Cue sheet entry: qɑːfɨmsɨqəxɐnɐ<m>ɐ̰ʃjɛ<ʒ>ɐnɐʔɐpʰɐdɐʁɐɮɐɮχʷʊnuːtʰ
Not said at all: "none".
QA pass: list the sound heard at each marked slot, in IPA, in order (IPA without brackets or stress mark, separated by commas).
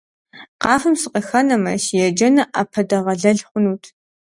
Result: m, d͡ʒ